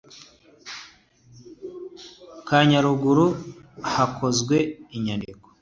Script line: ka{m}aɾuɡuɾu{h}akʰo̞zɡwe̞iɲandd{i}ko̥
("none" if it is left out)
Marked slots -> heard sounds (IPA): ɲ, h, i

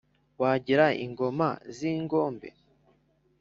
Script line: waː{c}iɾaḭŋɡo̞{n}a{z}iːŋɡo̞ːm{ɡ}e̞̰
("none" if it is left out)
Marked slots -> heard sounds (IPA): ɟ, m, z, b

